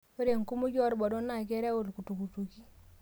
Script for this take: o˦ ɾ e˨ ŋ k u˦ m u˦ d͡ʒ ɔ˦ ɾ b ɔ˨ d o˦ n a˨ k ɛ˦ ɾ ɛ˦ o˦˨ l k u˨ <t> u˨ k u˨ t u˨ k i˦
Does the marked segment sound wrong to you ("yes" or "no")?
no